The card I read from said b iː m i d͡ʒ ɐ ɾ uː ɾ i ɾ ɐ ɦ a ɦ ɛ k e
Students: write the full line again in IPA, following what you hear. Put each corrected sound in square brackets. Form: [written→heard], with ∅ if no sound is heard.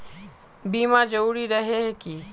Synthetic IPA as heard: b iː m [i→a] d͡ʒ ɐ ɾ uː ɾ i ɾ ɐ ɦ [a→e] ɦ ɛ k [e→i]